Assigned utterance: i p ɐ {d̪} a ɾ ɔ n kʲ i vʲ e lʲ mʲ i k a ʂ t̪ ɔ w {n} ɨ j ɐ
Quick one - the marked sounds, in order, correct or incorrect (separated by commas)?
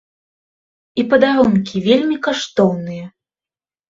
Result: correct, correct